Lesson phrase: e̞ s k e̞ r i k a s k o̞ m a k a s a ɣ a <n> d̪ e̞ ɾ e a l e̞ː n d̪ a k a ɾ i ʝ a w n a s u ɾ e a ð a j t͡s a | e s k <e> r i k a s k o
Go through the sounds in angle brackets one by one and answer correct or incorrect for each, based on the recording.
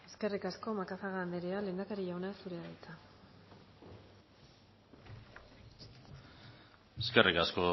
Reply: correct, correct

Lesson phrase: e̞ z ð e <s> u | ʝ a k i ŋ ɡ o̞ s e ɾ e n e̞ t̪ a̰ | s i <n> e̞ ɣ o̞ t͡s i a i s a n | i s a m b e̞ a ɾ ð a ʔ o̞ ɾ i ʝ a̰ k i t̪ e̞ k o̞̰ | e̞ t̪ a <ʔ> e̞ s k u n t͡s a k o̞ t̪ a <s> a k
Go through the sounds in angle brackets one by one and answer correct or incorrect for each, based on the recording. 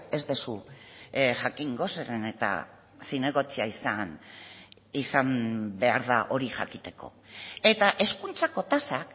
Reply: correct, correct, correct, correct

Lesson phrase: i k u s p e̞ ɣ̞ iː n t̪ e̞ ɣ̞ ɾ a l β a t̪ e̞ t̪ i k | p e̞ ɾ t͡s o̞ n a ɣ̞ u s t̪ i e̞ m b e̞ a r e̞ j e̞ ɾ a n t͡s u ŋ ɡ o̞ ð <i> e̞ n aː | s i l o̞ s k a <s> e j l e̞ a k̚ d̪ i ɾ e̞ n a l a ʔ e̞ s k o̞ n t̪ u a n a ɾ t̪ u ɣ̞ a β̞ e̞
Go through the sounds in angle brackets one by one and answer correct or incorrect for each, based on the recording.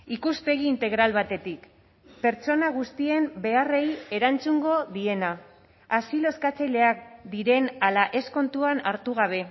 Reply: correct, incorrect

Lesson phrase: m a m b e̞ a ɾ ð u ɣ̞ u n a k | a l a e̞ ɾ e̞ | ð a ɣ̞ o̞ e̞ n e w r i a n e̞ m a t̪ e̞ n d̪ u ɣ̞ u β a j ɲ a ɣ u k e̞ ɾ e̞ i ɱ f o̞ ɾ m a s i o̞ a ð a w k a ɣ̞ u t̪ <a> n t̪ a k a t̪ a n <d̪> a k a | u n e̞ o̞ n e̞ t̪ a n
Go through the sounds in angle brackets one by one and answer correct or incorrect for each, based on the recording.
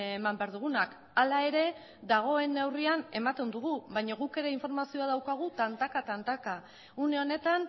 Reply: correct, incorrect

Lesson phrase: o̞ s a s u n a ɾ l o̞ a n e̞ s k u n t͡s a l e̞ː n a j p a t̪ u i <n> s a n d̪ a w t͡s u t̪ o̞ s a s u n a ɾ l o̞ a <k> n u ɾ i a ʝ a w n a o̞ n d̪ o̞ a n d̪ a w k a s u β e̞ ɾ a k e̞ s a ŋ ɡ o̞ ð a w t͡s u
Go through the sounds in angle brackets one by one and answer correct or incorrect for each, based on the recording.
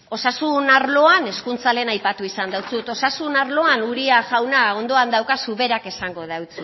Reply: incorrect, incorrect

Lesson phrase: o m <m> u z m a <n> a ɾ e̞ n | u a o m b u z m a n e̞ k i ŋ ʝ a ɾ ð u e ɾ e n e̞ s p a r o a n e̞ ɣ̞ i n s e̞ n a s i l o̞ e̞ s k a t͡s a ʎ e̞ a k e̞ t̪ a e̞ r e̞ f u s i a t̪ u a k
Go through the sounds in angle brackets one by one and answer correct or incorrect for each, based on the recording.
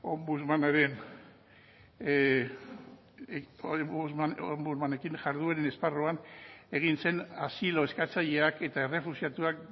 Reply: incorrect, correct

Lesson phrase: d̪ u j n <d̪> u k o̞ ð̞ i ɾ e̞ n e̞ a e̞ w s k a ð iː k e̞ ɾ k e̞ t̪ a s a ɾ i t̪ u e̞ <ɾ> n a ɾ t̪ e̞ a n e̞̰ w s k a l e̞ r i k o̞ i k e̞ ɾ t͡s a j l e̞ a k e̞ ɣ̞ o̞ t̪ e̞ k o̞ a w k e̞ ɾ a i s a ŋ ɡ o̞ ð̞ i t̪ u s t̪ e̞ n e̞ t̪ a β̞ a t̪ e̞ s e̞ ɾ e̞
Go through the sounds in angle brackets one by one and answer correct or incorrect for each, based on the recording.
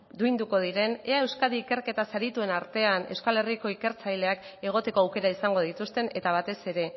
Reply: correct, incorrect

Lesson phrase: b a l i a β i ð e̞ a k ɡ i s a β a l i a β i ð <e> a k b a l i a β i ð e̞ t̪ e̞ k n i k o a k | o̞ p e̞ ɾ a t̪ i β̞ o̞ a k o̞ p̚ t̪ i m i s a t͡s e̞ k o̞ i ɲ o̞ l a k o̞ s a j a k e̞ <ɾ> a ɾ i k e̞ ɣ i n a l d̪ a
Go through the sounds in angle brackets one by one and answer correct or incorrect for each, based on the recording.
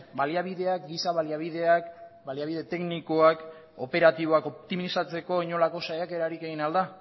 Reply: correct, correct

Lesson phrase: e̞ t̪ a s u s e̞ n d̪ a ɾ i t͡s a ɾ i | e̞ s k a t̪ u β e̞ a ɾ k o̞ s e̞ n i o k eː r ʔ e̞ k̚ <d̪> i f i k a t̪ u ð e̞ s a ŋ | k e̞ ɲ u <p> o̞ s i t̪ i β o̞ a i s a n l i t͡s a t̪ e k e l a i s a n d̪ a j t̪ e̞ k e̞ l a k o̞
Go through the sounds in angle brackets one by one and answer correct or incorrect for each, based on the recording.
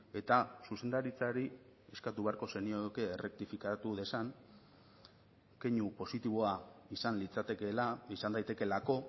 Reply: incorrect, correct

